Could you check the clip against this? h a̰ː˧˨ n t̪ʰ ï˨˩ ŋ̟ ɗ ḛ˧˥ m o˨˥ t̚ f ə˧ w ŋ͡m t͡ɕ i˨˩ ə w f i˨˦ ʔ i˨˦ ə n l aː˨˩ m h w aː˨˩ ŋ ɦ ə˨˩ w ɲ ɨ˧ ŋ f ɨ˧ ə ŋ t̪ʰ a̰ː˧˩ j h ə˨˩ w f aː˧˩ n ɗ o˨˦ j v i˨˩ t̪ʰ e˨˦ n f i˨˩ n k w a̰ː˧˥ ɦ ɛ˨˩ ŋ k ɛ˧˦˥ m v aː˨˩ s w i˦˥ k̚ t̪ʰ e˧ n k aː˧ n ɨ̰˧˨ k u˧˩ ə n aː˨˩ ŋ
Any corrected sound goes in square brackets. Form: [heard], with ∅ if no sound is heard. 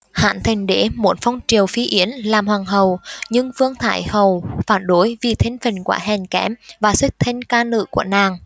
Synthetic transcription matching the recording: h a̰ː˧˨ n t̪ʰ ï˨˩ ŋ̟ ɗ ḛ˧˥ m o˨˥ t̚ f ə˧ w ŋ͡m t͡ɕ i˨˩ ə w f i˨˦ ʔ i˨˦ ə n l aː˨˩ m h w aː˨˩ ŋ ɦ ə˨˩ w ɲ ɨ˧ ŋ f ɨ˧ ə ŋ t̪ʰ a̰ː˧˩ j h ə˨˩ w f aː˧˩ n ɗ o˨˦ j v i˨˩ t̪ʰ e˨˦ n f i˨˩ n k w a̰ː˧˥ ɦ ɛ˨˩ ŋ k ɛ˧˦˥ m v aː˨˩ s w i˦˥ k̚ t̪ʰ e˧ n k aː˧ n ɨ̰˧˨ k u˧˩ ə n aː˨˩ ŋ